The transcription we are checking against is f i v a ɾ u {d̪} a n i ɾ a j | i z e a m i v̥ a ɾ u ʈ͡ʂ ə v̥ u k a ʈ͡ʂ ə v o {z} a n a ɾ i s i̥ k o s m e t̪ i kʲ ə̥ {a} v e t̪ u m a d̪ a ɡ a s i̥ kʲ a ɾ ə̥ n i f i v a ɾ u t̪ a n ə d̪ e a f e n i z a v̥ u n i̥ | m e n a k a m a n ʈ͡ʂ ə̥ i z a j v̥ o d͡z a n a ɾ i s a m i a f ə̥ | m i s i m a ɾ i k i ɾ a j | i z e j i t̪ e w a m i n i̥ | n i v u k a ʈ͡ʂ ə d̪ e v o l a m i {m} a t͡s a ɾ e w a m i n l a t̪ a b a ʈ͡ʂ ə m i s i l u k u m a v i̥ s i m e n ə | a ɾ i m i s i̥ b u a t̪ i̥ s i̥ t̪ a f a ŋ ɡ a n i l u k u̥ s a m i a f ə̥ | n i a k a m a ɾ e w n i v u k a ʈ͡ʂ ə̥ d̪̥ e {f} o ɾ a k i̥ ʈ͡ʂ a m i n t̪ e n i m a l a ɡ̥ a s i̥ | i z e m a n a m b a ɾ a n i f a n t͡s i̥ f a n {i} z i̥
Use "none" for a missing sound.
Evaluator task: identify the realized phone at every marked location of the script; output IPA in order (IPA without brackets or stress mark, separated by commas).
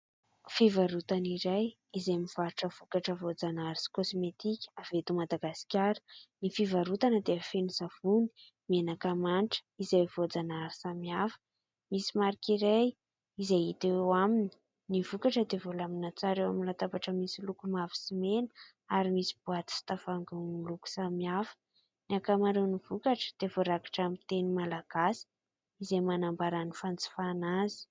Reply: t̪, d͡z, a, n, v, a